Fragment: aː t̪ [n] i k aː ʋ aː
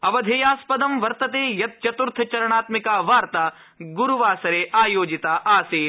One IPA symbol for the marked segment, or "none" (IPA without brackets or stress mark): m